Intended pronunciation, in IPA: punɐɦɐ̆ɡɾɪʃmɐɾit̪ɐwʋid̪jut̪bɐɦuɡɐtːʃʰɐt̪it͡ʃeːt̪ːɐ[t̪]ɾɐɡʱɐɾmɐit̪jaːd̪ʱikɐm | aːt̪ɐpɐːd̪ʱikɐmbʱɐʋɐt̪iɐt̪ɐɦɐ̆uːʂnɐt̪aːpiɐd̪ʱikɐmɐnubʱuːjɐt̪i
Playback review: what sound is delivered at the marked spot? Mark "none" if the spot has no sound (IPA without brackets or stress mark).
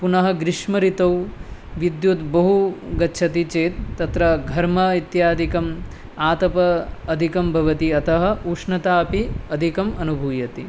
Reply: t̪